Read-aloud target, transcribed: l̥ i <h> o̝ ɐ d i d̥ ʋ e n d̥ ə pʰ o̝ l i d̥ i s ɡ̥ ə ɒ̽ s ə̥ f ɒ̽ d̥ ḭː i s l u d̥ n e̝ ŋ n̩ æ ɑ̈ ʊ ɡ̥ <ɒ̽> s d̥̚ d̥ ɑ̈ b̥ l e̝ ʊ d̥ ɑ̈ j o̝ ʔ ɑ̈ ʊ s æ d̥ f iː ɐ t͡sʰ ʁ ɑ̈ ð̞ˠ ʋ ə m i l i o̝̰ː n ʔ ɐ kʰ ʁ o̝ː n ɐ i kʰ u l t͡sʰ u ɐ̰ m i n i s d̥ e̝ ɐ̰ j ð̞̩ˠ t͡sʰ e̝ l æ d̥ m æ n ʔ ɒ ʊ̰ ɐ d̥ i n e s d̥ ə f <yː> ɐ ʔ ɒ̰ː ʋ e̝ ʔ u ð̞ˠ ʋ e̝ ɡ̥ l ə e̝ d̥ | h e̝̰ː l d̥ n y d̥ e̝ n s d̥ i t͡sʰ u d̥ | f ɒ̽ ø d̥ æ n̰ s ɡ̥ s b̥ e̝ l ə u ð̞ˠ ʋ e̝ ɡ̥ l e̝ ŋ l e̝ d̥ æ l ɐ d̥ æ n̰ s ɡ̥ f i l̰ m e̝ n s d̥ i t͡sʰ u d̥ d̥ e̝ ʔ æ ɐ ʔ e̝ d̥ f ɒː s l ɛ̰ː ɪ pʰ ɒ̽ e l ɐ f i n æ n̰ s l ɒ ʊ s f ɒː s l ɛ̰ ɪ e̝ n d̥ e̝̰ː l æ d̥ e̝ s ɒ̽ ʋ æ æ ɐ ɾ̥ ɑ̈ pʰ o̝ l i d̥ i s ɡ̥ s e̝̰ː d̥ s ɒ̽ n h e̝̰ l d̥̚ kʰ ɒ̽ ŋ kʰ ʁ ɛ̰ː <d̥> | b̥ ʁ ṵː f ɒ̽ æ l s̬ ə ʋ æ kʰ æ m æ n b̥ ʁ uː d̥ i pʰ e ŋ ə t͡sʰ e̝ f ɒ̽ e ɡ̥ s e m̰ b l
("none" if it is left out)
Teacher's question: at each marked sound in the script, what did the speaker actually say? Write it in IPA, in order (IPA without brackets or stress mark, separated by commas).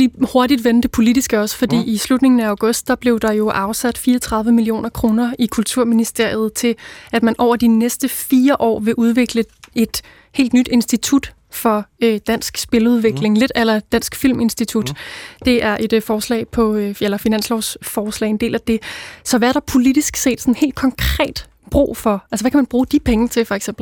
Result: h, ɔ̽, iː, d̥